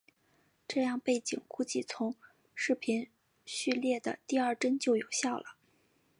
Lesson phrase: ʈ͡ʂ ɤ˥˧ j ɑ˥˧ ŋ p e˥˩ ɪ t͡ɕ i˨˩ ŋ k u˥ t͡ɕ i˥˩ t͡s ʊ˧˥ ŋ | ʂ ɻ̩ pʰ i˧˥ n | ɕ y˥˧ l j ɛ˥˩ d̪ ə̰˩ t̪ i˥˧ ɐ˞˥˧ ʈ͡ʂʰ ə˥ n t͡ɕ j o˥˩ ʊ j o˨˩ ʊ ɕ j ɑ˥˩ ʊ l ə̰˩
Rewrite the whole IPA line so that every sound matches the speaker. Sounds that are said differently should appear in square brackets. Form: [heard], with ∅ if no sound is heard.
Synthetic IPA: ʈ͡ʂ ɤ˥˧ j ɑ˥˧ ŋ p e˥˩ ɪ t͡ɕ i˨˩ ŋ k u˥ t͡ɕ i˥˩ [t͡sʰ] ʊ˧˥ ŋ | ʂ ɻ̩ pʰ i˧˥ n | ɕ y˥˧ l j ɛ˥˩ d̪ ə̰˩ t̪ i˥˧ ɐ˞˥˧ [ʈ͡ʂ] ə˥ n t͡ɕ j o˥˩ ʊ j o˨˩ ʊ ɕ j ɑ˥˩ ʊ l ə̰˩